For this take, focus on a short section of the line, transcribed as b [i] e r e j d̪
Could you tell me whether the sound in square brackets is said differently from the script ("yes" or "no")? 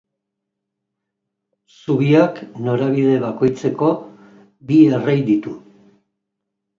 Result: no